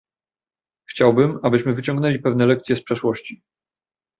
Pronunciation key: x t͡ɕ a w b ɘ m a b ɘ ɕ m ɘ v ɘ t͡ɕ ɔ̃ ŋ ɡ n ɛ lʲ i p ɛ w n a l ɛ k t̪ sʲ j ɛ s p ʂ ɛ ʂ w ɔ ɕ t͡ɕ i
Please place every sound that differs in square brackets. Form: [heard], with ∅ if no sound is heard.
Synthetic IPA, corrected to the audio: x t͡ɕ a w b ɘ m a b ɘ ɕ m ɘ v ɘ t͡ɕ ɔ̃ ŋ ɡ n ɛ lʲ i p ɛ [v] n [ɛ] l ɛ k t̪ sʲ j ɛ s p ʂ ɛ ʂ w ɔ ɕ t͡ɕ i